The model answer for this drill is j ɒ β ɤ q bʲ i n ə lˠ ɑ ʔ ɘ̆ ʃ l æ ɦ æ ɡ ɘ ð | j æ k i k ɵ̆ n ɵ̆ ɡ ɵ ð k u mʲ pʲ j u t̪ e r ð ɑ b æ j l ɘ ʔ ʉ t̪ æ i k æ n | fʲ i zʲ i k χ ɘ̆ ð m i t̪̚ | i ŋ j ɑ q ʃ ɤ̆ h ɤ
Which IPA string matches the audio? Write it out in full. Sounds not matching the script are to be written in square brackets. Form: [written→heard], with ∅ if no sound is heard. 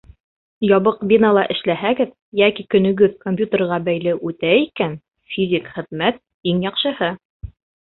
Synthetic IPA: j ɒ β ɤ q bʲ i n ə lˠ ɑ ʔ ɘ̆ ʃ l æ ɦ æ ɡ ɘ ð | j æ k i k ɵ̆ n ɵ̆ ɡ ɵ ð k [u→o] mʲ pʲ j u t̪ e r [ð→ʁ] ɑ b æ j l ɘ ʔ ʉ t̪ æ i k æ n | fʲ i zʲ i k χ ɘ̆ ð m [i→æ] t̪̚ | i ŋ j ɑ q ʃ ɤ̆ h ɤ